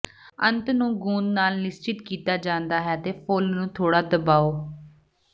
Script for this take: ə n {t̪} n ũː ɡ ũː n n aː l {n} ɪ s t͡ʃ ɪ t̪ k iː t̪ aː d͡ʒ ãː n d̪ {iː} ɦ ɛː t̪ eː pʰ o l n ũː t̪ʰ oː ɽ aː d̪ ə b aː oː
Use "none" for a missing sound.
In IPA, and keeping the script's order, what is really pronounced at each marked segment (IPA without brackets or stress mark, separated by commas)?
t̪, n, aː